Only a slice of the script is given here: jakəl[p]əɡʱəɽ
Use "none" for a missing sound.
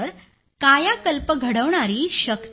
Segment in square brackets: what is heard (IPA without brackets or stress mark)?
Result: p